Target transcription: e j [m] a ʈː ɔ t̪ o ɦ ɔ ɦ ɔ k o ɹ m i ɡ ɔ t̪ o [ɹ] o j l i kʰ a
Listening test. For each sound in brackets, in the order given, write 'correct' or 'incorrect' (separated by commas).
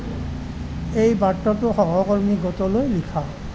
incorrect, incorrect